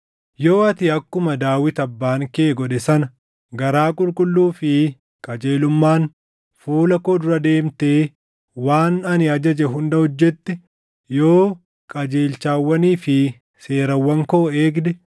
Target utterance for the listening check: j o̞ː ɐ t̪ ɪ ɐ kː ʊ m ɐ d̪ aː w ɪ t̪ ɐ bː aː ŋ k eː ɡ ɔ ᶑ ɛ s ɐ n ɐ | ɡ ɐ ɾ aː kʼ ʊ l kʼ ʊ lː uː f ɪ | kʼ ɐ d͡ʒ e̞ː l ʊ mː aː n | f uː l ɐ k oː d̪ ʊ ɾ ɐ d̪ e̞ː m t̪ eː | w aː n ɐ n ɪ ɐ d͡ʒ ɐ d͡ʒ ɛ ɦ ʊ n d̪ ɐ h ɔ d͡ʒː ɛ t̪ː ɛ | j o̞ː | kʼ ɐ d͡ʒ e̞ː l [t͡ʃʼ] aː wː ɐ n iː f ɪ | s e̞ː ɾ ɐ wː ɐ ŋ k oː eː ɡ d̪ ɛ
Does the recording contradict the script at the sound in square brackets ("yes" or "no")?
yes